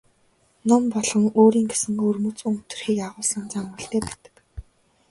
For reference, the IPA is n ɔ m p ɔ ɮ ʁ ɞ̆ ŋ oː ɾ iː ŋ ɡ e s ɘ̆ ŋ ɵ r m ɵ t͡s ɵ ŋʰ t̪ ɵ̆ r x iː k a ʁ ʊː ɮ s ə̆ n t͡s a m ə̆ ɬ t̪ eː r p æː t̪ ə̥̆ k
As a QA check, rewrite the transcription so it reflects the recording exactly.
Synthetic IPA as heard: n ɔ m p ɔ ɮ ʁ ɞ̆ ŋ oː ɾ iː ŋ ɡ e s ɘ̆ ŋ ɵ r m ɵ t͡s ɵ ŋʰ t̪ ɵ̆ r x iː k a ʁ ʊː ɮ s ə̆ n t͡s a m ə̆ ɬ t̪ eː p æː t̪ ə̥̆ k